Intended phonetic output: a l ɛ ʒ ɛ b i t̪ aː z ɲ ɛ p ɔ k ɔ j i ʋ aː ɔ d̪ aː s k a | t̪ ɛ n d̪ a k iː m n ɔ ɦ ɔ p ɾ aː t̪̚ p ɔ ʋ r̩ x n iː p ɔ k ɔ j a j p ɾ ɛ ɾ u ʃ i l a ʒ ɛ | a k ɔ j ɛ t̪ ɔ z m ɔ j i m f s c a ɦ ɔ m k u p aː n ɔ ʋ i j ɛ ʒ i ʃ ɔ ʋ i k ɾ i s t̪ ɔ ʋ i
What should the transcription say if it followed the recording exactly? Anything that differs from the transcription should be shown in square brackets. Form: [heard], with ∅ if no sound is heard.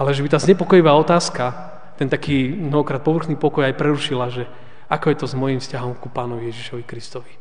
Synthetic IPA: a l ɛ ʒ ɛ b i t̪ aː z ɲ ɛ p ɔ k ɔ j i ʋ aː ɔ [t̪] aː s k a | t̪ ɛ n [t̪] a k iː m n ɔ ɦ ɔ [k] ɾ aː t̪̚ p ɔ ʋ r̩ x n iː p ɔ k ɔ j a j p ɾ ɛ ɾ u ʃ i l a ʒ ɛ | a k ɔ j ɛ t̪ ɔ z m ɔ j i m f s c a ɦ ɔ m k u p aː n ɔ ʋ i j ɛ ʒ i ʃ ɔ ʋ i k ɾ i s t̪ ɔ ʋ i